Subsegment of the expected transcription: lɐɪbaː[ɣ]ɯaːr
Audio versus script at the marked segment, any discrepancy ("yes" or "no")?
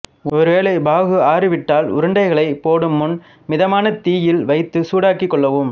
no